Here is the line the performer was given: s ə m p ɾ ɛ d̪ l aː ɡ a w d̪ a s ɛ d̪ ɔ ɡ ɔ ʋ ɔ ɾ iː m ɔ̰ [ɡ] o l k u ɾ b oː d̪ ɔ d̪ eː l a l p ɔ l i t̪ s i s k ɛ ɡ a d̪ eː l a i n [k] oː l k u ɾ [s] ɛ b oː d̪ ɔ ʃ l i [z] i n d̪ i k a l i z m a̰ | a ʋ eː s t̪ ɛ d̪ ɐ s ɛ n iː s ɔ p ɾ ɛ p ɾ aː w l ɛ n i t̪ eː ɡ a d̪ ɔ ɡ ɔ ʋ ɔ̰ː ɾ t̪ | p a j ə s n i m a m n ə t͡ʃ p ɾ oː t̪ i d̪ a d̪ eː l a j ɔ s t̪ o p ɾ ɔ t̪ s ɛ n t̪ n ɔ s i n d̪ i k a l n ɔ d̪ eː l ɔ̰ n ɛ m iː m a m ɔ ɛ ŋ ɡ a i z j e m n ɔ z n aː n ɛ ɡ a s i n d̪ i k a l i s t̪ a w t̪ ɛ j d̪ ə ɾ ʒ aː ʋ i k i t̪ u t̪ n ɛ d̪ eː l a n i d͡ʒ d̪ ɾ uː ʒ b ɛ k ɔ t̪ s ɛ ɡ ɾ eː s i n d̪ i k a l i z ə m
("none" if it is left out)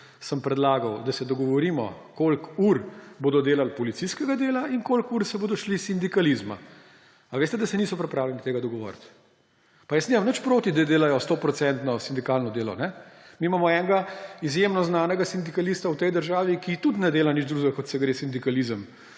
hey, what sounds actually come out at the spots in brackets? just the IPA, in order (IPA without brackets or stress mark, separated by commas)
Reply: k, k, s, s